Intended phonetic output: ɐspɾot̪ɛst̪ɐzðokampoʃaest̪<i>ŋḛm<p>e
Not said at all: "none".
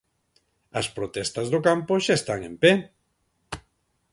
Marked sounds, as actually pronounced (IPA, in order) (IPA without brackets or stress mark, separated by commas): a, p